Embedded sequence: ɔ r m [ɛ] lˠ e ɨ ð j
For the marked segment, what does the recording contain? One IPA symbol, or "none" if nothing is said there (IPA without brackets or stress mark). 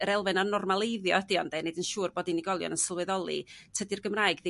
a